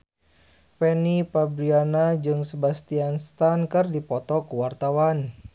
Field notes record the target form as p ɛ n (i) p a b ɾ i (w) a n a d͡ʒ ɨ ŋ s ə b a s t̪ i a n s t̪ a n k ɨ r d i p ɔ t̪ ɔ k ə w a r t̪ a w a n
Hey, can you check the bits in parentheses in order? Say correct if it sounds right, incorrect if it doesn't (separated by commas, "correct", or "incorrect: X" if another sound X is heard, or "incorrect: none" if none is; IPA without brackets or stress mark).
correct, incorrect: none